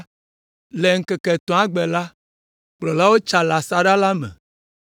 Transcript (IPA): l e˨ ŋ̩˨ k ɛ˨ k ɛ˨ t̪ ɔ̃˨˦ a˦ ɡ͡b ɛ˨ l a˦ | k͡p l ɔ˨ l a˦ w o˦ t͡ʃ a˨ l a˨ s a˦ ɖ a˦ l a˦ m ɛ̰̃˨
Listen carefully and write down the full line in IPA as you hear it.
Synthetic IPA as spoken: l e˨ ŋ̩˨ k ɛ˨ k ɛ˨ t̪ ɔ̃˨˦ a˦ ɡ͡b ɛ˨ l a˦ | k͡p l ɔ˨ l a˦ w o˦ t͡ʃ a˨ l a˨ s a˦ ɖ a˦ l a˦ m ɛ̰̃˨